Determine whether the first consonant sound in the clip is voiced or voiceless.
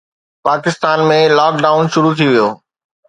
voiceless